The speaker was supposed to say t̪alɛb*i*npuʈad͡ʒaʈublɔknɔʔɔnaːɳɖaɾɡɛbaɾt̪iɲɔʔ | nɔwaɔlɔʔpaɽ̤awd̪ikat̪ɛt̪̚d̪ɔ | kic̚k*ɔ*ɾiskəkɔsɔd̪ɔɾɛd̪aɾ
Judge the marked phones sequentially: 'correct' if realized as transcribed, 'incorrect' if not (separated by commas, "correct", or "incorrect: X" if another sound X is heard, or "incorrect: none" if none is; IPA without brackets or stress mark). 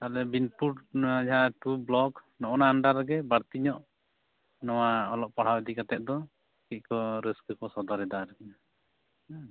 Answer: correct, correct